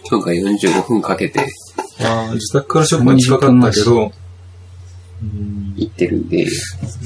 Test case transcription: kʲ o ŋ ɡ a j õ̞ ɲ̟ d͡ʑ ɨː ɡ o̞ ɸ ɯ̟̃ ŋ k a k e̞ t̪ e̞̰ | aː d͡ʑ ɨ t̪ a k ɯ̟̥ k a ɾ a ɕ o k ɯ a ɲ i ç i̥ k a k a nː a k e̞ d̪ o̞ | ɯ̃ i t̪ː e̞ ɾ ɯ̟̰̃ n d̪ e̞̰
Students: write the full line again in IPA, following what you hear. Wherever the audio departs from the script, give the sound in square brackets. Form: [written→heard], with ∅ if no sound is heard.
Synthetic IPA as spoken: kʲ o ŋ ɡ a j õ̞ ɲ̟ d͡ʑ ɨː ɡ o̞ ɸ ɯ̟̃ ŋ k a k e̞ t̪ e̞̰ | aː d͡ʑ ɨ t̪ a k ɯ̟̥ k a ɾ a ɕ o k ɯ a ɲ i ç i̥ k a k a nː a k e̞ d̪ o̞ | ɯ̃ i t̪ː e̞ ɾ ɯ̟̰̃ n d̪ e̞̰